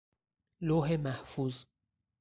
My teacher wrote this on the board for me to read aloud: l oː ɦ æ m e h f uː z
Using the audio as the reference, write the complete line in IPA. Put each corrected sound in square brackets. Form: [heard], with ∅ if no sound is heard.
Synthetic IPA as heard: l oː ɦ [e] m [æ] h f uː z